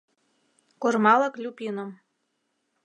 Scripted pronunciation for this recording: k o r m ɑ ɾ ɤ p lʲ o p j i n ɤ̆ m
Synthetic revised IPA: k o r m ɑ l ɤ k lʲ u p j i n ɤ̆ m